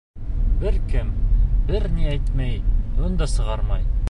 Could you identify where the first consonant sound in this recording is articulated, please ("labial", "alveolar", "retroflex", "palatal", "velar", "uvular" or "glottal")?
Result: labial